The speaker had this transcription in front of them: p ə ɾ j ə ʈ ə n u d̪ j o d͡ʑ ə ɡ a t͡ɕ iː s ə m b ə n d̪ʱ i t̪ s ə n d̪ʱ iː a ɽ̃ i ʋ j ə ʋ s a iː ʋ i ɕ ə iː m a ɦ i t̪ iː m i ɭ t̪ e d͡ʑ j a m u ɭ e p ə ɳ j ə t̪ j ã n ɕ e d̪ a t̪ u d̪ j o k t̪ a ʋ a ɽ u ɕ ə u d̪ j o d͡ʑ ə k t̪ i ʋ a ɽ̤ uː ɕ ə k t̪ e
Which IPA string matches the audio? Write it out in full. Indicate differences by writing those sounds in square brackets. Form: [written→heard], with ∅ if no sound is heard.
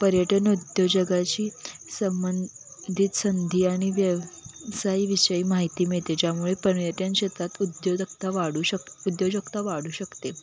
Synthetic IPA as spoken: p ə ɾ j ə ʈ ə n u d̪ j o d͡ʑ ə ɡ a t͡ɕ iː s ə m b ə n d̪ʱ i t̪ s ə n d̪ʱ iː a ɽ̃ i ʋ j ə ʋ s a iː ʋ i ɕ ə iː m a ɦ i t̪ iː m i ɭ t̪ e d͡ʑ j a m u ɭ e p ə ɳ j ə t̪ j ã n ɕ e [d̪→t̪] a t̪ u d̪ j o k t̪ a ʋ a ɽ u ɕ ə u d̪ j o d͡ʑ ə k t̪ [i→a] ʋ a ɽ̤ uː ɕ ə k t̪ e